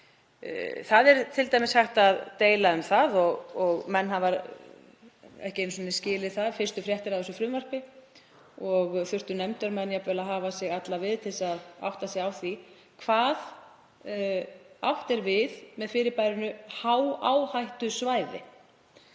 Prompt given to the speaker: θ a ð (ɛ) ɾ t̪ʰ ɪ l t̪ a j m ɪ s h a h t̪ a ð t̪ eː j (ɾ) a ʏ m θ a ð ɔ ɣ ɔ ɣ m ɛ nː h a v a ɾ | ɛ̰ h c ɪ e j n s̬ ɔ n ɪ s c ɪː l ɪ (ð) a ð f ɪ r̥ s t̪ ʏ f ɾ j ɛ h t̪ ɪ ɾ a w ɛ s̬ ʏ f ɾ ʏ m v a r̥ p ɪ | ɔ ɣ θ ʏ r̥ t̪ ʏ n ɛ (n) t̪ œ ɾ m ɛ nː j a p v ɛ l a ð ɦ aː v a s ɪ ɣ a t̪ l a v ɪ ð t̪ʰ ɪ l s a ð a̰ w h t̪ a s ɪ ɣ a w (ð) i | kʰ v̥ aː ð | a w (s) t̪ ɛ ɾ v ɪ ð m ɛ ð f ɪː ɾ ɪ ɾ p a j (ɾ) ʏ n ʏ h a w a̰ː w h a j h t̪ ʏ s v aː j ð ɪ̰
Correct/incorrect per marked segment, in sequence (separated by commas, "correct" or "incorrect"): correct, incorrect, incorrect, incorrect, incorrect, incorrect, correct